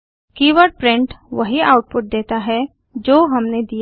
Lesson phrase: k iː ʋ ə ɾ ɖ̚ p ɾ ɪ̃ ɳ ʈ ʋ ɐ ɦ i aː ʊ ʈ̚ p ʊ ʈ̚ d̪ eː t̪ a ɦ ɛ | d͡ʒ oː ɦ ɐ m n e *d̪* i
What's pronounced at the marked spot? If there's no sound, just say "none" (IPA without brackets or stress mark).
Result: d̪